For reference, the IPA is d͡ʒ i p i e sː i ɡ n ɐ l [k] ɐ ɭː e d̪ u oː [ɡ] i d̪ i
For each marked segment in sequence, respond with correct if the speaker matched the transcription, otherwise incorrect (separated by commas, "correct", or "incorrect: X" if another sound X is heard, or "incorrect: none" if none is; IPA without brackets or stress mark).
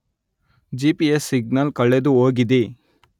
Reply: correct, correct